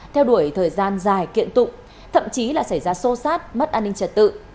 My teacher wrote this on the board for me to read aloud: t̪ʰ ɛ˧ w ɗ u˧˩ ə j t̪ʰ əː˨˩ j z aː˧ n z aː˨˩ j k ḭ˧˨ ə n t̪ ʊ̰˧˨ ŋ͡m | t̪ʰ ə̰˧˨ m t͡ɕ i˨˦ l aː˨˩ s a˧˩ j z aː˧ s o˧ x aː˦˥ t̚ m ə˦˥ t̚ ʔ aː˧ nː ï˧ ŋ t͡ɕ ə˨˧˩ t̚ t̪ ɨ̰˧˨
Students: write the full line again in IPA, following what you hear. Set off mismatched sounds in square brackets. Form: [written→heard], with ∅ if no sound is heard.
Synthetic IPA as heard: t̪ʰ ɛ˧ w ɗ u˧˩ ə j t̪ʰ əː˨˩ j z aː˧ n z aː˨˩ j k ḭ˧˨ ə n t̪ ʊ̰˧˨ ŋ͡m | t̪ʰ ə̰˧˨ m t͡ɕ i˨˦ l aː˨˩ s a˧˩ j z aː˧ s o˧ [x→s] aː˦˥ t̚ m ə˦˥ t̚ ʔ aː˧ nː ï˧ ŋ t͡ɕ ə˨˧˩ t̚ t̪ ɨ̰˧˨